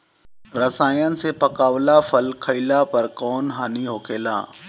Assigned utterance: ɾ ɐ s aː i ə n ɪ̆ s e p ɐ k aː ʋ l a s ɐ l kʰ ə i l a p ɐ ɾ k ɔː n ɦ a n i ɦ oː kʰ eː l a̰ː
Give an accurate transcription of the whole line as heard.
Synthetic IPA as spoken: ɾ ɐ s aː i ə n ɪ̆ s e p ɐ k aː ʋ l a f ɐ l kʰ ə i l a p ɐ ɾ k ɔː n ɦ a n i ɦ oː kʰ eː l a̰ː